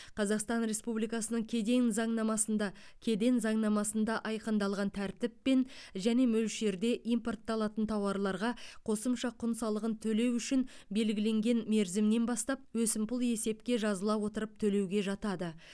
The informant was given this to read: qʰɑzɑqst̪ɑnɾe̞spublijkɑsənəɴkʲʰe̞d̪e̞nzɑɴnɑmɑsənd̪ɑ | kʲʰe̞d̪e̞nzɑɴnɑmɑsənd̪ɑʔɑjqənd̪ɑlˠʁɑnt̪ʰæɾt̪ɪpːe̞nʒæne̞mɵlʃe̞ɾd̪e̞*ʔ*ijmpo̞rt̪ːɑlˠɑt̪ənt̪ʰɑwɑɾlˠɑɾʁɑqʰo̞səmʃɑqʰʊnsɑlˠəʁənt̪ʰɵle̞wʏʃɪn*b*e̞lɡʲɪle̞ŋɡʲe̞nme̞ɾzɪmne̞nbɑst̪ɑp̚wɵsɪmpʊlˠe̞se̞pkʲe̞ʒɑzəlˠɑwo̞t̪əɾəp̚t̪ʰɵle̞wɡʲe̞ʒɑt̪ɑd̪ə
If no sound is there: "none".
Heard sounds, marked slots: ʔ, b

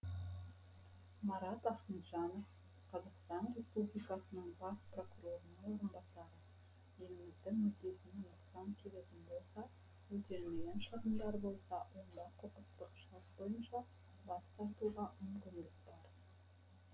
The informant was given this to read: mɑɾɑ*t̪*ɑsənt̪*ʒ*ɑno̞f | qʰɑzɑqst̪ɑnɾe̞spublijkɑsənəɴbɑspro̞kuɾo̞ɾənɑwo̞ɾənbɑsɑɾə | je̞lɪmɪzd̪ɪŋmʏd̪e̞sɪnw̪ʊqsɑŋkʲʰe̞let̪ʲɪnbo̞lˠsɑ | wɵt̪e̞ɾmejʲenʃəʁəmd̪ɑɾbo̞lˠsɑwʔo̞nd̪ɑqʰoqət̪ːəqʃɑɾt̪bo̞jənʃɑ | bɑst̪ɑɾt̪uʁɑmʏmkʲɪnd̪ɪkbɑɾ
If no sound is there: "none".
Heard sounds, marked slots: t̪, ʒ

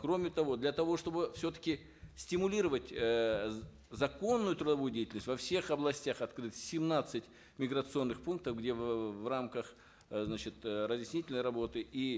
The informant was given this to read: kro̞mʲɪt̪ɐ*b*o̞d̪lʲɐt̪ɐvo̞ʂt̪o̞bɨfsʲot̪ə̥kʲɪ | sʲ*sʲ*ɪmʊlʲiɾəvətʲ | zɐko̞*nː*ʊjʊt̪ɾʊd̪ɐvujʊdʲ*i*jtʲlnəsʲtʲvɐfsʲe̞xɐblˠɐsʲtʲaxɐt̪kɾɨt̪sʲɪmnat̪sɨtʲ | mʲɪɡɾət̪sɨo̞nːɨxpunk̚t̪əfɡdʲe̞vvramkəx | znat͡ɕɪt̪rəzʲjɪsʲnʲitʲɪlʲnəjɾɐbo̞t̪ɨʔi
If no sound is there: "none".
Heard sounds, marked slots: v, tʲ, nː, e

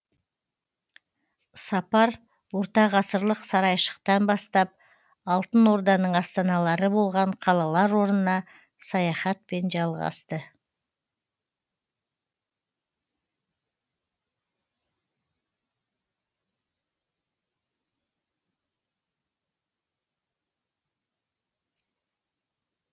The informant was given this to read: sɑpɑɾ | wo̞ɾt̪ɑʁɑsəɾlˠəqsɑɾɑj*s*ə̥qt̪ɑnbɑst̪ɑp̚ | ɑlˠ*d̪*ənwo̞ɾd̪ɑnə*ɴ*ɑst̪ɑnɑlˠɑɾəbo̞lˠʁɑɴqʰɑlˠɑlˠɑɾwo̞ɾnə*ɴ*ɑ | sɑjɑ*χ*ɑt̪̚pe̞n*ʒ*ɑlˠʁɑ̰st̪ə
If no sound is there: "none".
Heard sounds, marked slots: ʃ, t̪, ɴ, n, χ, ʒ

